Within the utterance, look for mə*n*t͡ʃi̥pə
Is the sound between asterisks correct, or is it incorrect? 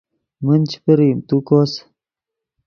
correct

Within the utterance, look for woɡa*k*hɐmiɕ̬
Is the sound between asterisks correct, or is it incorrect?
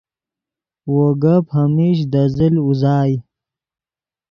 incorrect: p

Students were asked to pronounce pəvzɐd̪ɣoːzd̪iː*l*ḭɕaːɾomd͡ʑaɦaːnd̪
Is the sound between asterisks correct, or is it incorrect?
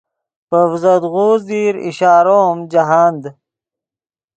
incorrect: ɾ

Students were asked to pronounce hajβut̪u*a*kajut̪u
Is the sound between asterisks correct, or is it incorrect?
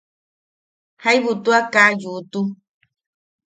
correct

